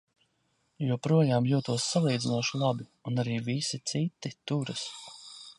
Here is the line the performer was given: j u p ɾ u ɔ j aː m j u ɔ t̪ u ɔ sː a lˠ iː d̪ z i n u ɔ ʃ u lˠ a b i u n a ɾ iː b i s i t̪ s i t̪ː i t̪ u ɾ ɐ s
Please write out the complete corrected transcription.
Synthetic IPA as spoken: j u p ɾ u ɔ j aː m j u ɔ t̪ u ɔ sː a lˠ iː d̪ z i n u ɔ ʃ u lˠ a b i u n a ɾ iː v i s i t̪ s i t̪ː i t̪ u ɾ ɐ s